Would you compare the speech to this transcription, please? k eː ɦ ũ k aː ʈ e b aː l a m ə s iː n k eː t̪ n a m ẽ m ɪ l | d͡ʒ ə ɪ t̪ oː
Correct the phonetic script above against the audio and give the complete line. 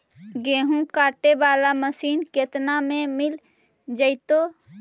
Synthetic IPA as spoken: ɡ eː ɦ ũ k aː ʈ e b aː l a m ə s iː n k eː t̪ n a m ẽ m ɪ l | d͡ʒ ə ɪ t̪ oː